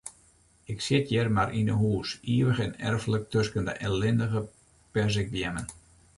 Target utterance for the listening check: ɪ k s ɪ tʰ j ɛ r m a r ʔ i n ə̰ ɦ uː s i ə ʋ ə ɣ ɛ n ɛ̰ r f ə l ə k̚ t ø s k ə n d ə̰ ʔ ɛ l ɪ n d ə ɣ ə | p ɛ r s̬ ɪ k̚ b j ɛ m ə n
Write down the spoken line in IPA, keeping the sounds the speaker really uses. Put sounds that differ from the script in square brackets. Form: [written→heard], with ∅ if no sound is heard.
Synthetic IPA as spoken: ɪ k s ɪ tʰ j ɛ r m a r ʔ i n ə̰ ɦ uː s i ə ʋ ə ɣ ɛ n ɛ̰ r f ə l ə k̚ t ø s k ə n d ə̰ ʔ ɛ l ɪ n d ə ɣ ə | p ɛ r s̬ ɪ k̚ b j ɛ m ə n